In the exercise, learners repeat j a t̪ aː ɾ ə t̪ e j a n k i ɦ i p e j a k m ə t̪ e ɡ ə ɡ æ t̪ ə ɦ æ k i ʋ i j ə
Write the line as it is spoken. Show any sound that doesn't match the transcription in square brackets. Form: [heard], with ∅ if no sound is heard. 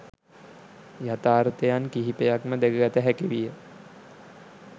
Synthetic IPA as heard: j a t̪ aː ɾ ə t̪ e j a n k i ɦ i p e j a k m ə [d̪] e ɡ ə ɡ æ t̪ ə ɦ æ k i ʋ i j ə